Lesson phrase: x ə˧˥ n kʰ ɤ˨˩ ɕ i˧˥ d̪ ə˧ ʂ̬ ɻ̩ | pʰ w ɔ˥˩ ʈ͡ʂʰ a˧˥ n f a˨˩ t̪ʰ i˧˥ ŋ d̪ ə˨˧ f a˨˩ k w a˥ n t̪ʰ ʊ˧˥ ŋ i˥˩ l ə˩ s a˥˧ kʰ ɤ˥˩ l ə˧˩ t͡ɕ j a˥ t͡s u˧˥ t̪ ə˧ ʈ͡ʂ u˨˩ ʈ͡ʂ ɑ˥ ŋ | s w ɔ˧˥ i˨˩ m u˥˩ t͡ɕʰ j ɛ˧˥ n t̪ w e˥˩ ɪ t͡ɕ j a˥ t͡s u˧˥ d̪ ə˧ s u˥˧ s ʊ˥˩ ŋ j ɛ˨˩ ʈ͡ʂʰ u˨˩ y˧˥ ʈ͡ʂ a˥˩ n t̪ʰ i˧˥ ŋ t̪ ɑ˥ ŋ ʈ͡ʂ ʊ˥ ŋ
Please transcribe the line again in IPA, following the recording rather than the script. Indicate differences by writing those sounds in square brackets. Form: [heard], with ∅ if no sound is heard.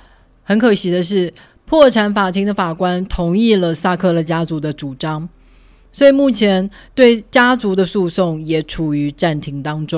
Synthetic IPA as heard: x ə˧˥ n kʰ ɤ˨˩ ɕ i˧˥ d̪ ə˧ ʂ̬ ɻ̩ | pʰ w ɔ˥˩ ʈ͡ʂʰ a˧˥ n f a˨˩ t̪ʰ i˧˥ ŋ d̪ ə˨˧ f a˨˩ k w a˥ n t̪ʰ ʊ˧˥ ŋ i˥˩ l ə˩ s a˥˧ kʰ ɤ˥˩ l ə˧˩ t͡ɕ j a˥ t͡s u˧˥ [d̪] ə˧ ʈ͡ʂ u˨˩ ʈ͡ʂ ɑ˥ ŋ | s w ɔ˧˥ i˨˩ m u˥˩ t͡ɕʰ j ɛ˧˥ n t̪ w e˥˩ ɪ t͡ɕ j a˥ t͡s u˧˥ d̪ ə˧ s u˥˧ s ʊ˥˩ ŋ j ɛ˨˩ ʈ͡ʂʰ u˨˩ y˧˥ ʈ͡ʂ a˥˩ n t̪ʰ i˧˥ ŋ t̪ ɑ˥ ŋ ʈ͡ʂ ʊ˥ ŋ